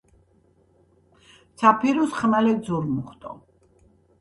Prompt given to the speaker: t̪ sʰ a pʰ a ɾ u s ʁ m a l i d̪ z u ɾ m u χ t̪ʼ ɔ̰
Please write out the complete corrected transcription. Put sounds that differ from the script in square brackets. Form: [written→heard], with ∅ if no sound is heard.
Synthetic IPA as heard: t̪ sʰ a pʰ [a→i] ɾ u s [ʁ→χ] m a l [i→ɛ] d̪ z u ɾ m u χ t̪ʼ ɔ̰